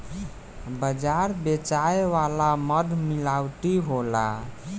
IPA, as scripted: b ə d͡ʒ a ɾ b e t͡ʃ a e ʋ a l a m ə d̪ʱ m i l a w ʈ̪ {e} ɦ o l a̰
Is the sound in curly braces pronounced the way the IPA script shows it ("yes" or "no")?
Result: no